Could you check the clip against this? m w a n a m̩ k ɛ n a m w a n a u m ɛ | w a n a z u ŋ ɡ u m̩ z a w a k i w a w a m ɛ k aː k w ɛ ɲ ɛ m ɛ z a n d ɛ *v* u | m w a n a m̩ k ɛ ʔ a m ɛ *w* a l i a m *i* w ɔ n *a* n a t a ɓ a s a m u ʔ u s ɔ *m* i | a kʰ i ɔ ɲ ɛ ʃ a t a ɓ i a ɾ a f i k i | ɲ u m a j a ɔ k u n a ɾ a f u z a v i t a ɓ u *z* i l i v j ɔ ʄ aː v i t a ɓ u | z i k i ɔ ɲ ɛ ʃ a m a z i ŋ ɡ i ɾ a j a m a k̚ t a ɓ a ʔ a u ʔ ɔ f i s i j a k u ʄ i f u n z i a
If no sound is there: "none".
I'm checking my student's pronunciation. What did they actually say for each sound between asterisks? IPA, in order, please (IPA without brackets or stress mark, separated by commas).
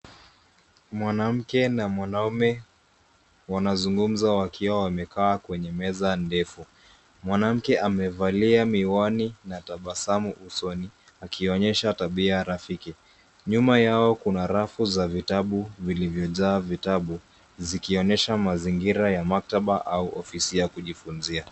f, v, i, i, n, v